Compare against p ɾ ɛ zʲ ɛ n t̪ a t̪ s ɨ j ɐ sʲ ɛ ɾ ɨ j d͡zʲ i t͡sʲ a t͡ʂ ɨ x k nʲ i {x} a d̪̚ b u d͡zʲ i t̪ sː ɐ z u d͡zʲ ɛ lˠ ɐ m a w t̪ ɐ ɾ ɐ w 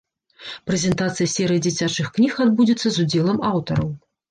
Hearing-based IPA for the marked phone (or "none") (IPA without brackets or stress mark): x